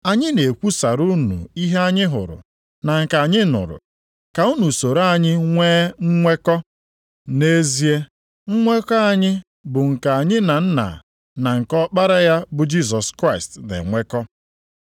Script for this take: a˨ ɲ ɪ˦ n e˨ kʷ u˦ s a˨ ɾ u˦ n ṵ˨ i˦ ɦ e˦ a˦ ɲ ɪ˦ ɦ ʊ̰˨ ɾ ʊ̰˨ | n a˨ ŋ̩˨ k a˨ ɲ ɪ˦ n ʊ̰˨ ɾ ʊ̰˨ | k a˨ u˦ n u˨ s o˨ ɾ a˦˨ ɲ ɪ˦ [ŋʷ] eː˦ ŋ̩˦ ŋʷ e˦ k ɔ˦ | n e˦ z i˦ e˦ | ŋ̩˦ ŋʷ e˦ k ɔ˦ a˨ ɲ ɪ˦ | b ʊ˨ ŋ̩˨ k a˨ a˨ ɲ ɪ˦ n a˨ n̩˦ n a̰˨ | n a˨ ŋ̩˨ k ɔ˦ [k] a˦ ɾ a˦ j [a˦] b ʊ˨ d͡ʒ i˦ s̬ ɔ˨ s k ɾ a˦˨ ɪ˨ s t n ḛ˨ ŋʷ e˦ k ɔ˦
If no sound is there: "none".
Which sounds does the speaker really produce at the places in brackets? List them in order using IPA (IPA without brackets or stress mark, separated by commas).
ŋʷ, k͡p, a˦